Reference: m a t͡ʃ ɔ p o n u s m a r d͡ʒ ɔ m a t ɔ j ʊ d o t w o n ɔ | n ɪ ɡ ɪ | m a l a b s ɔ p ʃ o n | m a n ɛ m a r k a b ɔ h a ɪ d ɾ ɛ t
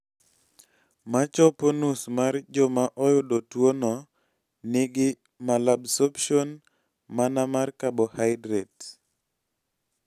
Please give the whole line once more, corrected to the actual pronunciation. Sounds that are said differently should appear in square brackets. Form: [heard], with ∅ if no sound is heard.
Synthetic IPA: m a t͡ʃ ɔ p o n u s m a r d͡ʒ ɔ m a [ʔ] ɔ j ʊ d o t w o n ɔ | n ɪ ɡ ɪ | m a l a b s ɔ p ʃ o n | m a n [a] m a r k a b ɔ h a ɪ d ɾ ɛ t